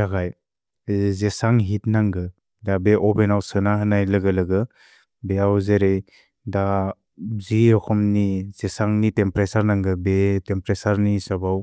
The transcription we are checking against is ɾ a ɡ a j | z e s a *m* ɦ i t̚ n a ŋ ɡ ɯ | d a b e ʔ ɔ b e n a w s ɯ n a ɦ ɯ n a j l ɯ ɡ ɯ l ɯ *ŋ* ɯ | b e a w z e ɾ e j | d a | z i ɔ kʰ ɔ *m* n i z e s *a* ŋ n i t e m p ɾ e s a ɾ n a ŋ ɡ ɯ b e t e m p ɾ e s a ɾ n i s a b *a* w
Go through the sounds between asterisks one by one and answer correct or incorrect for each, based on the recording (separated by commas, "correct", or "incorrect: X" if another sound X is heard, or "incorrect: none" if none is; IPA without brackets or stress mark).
incorrect: ŋ, incorrect: ɡ, correct, correct, correct